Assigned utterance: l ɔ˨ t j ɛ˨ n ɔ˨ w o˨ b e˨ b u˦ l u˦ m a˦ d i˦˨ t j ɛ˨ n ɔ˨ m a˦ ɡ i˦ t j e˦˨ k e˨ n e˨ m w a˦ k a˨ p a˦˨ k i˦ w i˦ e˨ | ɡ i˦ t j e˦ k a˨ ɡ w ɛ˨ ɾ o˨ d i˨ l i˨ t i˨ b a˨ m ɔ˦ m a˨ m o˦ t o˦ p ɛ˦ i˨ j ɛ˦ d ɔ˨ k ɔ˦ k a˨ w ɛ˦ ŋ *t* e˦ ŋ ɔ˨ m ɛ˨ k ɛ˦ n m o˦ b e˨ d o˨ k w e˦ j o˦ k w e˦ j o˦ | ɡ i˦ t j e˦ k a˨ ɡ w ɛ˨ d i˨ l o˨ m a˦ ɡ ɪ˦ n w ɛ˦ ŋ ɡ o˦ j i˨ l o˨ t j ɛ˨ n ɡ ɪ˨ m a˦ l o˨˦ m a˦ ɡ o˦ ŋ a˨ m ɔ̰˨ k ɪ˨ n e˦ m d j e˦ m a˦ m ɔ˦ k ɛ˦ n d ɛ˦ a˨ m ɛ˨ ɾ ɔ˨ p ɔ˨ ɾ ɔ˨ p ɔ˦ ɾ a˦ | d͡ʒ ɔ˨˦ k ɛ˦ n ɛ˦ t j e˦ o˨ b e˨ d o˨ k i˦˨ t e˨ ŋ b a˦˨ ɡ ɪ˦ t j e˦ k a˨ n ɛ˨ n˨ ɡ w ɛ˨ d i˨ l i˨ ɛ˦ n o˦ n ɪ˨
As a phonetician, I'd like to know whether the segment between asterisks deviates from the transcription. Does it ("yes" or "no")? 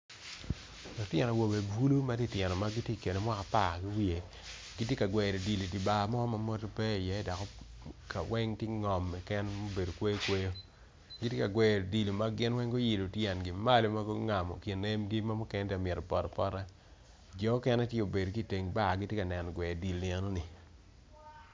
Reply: no